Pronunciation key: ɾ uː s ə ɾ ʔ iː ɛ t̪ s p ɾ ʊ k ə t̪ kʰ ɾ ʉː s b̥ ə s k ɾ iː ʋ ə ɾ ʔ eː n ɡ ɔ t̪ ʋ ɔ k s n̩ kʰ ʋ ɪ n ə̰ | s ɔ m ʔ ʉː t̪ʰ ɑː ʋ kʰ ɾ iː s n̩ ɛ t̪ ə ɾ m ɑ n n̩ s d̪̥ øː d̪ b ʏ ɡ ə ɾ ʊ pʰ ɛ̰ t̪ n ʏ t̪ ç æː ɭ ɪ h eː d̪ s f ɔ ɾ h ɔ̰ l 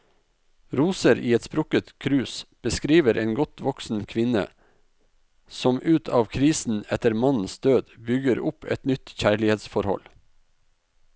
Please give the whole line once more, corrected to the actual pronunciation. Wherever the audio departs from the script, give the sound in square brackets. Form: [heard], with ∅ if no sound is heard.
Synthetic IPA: ɾ uː s ə ɾ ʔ iː ɛ t̪ s p ɾ ʊ k ə t̪ kʰ ɾ ʉː s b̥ ə s k ɾ iː ʋ ə ɾ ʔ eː n ɡ ɔ t̪ ʋ ɔ k s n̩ kʰ ʋ ɪ n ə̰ | s ɔ m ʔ ʉː t̪ʰ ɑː ʋ kʰ ɾ iː s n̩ ɛ t̪ ə ɾ m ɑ n n̩ s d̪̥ øː d̪ b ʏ ɡ ə ɾ ʊ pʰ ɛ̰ t̪ n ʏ t̪ ç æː ɭ ɪ h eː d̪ s f ɔ ɾ h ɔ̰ l